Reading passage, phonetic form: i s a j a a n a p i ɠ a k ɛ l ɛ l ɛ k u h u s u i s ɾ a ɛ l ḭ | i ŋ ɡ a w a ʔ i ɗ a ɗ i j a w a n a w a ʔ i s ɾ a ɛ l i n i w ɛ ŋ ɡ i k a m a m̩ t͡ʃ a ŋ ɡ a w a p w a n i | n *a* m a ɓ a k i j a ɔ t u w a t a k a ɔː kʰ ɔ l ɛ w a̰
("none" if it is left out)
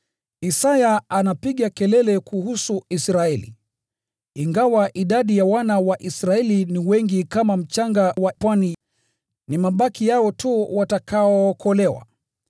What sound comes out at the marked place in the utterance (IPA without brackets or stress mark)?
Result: i